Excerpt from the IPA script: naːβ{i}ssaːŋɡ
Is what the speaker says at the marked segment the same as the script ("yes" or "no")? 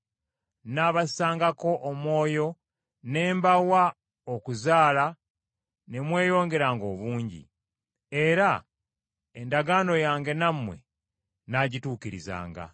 no